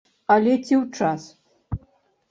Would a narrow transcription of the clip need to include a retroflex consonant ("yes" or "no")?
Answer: yes